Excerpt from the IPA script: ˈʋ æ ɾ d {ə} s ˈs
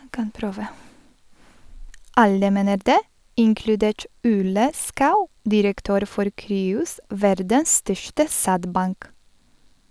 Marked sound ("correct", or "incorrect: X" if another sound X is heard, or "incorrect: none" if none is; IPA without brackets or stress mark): correct